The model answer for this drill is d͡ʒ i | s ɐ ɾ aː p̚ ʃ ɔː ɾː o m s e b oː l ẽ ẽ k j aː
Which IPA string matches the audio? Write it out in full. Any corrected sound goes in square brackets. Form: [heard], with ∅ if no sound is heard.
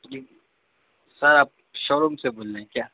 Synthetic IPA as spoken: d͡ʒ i | s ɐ ɾ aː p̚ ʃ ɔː [ɾ] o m s e b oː l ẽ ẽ k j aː